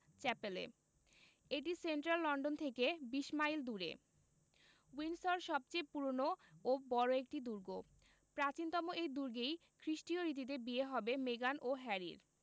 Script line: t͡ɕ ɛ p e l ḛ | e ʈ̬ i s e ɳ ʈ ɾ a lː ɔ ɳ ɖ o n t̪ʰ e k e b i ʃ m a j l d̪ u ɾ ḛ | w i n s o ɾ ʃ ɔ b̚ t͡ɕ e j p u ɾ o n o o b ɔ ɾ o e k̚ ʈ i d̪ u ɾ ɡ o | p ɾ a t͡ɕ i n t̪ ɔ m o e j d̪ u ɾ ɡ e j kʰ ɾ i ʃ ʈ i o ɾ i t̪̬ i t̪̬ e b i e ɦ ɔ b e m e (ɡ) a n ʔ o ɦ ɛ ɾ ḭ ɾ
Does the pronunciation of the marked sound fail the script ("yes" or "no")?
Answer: no